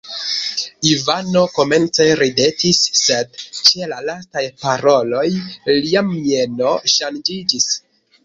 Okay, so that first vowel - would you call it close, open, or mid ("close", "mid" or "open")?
close